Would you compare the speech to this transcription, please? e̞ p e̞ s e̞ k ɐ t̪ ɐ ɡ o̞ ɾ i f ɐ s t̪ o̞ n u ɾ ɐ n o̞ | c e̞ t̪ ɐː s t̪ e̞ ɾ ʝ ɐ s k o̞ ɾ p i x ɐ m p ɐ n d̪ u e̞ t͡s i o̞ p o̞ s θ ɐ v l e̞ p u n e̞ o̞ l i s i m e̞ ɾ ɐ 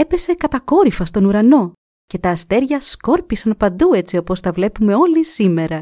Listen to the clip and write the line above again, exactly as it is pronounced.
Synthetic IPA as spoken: e̞ p e̞ s e̞ k ɐ t̪ ɐ k o̞ ɾ i f ɐ s t̪ o̞ n u ɾ ɐ n o̞ | c e̞ t̪ ɐː s t̪ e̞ ɾ ʝ ɐ s k o̞ ɾ p i s ɐ n p ɐ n d̪ u e̞ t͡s i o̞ p o̞ s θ ɐ v l e̞ p u m e̞ o̞ l i s i m e̞ ɾ ɐ